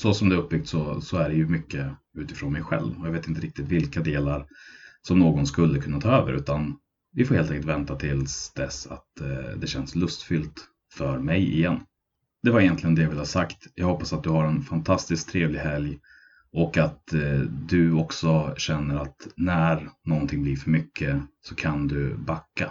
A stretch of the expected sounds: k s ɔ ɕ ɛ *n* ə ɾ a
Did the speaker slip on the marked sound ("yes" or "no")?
yes